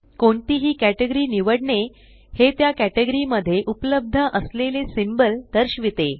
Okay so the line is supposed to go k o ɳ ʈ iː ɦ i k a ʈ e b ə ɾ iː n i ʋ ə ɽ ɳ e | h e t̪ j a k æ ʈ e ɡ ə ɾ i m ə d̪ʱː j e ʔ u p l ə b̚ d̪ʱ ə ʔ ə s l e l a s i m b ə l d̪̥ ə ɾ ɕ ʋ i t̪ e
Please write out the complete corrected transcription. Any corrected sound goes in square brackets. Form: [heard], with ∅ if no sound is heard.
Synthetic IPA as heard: k o ɳ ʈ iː ɦ [iː] k [æ] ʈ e [ɡ] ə ɾ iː n i ʋ ə ɽ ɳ e | h e t̪ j a k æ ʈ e ɡ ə ɾ i m ə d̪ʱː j e ʔ u p l ə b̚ d̪ʱ ə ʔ ə s l e l [e] s i m b ə l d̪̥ ə ɾ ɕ ʋ i t̪ e